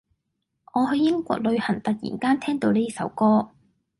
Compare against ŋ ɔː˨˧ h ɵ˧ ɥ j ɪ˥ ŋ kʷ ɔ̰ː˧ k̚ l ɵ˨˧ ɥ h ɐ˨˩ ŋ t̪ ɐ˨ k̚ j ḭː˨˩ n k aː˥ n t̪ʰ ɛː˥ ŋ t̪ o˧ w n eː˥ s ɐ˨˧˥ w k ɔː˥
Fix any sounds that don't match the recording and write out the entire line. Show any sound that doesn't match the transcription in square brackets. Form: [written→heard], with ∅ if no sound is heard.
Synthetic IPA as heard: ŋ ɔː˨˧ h ɵ˧ ɥ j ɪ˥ ŋ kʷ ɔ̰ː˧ k̚ l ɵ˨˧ ɥ h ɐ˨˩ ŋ t̪ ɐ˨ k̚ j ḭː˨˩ n k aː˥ n t̪ʰ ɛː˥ ŋ t̪ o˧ w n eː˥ s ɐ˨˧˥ w k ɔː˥